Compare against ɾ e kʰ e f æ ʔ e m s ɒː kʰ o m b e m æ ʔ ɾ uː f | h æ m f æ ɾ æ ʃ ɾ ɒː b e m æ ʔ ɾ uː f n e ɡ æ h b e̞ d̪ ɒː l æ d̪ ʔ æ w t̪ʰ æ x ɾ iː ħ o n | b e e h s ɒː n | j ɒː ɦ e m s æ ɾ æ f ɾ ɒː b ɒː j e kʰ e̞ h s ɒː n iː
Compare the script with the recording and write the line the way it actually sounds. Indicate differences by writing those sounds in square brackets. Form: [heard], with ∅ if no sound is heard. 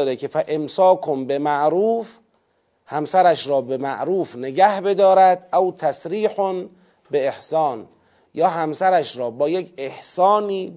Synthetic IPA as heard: ɾ e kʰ e f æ ʔ e m s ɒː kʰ o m b e m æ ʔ ɾ uː f | h æ m [s] æ ɾ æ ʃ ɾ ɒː b e m æ ʔ ɾ uː f n e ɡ æ h b e̞ d̪ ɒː [ɾ] æ d̪ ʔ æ w t̪ʰ æ [s] ɾ iː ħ o n | b e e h s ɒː n | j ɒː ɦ [æ] m s æ ɾ æ [ʃ] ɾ ɒː b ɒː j e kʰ e̞ h s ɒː n iː